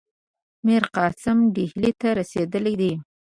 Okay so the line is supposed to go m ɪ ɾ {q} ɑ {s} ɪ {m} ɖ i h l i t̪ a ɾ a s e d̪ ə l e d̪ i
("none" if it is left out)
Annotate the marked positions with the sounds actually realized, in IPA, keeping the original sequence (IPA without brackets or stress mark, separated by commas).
q, s, m